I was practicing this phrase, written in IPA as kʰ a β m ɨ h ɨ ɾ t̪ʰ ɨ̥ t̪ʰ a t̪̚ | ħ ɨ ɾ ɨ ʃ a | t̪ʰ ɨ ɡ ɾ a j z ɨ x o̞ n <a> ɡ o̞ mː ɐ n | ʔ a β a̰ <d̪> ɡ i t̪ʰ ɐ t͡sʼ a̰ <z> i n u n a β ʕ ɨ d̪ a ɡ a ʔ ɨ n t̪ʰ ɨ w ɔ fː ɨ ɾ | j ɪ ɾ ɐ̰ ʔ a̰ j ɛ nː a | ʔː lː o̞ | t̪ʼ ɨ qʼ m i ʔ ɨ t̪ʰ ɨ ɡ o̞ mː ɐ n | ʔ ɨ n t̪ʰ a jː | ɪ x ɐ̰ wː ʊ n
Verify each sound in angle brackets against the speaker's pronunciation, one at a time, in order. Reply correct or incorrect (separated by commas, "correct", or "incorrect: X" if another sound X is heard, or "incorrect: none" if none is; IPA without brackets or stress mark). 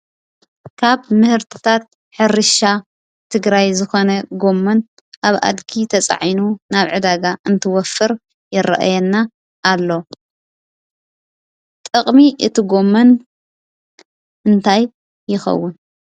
incorrect: ɐ, correct, incorrect: ʕ